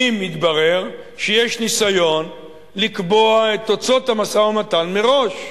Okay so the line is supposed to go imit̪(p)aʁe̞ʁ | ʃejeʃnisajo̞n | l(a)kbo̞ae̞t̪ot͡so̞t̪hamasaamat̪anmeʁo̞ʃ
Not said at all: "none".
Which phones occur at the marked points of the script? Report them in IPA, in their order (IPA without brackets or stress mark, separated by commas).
b, i